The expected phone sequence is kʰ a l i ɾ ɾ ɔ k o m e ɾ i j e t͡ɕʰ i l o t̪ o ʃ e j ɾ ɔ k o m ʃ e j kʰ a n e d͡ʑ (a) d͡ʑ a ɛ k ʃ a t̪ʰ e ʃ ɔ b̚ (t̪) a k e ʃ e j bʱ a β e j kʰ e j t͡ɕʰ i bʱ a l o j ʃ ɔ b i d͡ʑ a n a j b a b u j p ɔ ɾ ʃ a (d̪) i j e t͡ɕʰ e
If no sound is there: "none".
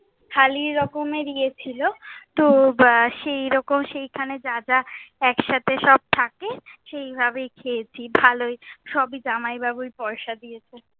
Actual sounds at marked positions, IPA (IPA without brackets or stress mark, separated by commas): a, t̪ʰ, d̪